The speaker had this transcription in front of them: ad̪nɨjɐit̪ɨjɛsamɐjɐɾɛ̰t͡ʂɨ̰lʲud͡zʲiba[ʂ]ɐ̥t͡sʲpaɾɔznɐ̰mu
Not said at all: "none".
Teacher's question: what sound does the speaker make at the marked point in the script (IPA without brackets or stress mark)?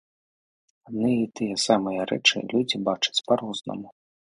t͡ʂ